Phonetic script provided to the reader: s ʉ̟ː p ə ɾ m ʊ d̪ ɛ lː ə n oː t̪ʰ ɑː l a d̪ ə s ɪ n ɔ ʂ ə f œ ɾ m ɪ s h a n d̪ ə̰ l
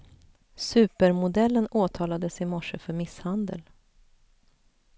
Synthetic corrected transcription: s ʉ̟ː p ə ɾ m ʊ d̪ ɛ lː ə n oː t̪ʰ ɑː l a d̪ ə s ɪ m ɔ ʂ ə f œ ɾ m ɪ s h a n d̪ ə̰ l